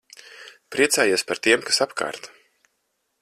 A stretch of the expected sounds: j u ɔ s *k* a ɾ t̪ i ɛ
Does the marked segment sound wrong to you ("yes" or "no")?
yes